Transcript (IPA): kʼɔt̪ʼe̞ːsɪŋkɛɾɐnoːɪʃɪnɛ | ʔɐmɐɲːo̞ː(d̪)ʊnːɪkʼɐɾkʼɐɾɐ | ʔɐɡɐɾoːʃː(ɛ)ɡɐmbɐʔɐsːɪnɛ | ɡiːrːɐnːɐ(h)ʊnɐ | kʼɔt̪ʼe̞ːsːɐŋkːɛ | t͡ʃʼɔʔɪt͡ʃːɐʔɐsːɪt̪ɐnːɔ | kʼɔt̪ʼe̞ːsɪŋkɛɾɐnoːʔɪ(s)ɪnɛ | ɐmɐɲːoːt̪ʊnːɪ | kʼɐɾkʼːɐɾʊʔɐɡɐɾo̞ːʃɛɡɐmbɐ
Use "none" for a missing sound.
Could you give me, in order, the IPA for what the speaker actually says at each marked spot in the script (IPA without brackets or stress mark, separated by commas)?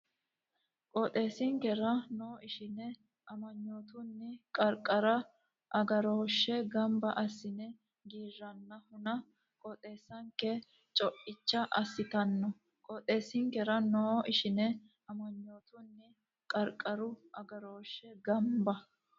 t̪, ɛ, h, ʃ